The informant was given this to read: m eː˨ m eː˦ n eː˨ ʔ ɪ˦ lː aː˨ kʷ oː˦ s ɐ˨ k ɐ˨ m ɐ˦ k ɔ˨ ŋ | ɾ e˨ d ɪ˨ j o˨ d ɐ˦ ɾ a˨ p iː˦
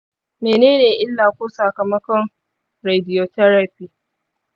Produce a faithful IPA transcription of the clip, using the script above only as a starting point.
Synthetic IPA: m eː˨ n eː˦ n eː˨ ʔ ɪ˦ lː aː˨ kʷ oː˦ s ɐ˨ k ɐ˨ m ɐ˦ k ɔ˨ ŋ | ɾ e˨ d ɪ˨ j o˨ t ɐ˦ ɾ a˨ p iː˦